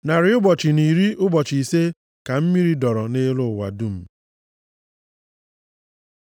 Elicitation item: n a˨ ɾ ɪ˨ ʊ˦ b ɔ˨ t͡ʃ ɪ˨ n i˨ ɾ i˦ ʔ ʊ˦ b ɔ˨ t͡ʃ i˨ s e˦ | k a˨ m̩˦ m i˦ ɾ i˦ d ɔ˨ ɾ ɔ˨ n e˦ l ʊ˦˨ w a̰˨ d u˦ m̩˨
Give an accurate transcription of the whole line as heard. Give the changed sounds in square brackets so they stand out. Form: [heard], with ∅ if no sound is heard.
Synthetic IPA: n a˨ ɾ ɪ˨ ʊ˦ b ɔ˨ t͡ʃ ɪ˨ n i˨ ɾ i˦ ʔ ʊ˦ b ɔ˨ t͡ʃ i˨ s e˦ | k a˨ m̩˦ m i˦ ɾ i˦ d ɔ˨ ɾ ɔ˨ n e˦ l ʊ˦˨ w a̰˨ d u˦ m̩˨